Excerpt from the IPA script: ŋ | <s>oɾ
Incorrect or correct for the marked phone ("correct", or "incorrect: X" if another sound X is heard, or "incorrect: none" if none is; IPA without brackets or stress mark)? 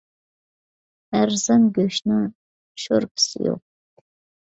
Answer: incorrect: ʃ